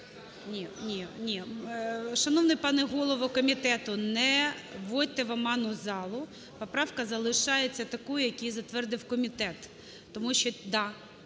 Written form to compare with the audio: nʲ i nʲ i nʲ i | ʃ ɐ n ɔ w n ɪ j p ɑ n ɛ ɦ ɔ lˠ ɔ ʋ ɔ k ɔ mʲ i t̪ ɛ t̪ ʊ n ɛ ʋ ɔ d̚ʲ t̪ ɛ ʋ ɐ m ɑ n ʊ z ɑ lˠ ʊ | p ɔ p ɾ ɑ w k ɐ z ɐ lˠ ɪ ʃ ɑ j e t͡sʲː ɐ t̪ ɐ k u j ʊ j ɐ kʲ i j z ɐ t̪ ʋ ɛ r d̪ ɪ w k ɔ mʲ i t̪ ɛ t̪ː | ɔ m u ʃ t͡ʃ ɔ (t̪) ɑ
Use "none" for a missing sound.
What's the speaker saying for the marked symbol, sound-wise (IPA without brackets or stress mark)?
d̪